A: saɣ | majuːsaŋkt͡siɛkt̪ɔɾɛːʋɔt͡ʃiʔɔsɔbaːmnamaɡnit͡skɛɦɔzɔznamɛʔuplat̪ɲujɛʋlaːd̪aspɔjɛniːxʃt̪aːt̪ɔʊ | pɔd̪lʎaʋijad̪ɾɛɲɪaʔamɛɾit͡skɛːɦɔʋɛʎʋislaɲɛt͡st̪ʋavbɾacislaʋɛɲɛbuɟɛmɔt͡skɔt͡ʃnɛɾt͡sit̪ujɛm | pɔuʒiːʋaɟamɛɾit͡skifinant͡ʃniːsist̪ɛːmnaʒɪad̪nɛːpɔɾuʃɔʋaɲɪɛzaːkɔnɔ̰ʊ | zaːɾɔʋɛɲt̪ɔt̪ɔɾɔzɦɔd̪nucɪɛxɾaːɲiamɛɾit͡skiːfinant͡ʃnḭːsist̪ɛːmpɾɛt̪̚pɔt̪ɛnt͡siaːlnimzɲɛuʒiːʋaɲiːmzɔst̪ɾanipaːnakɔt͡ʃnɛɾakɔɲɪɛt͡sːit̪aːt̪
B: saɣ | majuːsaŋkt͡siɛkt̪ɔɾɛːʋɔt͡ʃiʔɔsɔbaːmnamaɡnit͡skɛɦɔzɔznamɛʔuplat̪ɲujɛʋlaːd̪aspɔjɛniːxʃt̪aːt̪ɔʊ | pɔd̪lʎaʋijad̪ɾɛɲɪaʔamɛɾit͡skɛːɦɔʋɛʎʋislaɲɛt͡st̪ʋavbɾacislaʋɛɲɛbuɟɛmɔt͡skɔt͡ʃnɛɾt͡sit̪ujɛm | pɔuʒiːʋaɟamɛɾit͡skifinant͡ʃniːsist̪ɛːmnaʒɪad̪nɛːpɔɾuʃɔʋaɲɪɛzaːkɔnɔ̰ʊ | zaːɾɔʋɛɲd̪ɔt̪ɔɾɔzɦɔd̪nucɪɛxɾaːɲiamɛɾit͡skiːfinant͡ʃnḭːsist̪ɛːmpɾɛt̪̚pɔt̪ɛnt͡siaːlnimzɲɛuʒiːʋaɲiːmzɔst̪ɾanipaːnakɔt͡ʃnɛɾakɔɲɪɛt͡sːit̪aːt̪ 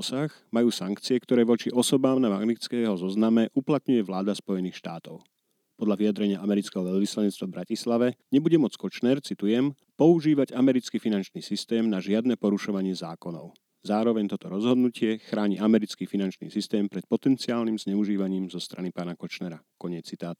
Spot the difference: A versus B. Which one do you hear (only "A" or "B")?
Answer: A